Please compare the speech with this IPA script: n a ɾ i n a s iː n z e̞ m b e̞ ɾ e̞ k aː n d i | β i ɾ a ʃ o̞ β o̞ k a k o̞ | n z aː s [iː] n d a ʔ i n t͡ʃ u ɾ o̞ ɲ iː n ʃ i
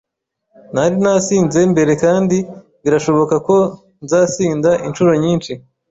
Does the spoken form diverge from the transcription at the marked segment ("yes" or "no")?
no